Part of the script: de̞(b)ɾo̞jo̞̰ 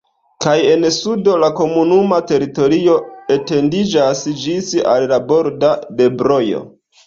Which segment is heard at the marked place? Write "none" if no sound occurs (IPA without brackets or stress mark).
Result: b